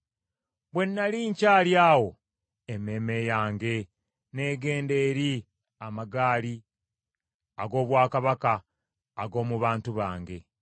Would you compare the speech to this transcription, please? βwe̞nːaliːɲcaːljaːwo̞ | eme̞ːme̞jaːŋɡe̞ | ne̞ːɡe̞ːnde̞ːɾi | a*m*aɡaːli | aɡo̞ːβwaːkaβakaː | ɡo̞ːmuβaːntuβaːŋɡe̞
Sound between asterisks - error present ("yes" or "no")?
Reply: no